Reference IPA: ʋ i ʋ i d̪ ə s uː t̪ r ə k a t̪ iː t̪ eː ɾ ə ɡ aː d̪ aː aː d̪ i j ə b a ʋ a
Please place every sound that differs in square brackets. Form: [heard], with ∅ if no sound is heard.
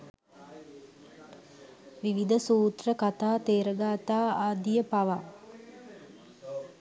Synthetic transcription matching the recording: ʋ i ʋ i d̪ ə s uː t̪ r ə k a t̪ [aː] t̪ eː ɾ ə ɡ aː [t̪] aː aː d̪ i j ə [p] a ʋ a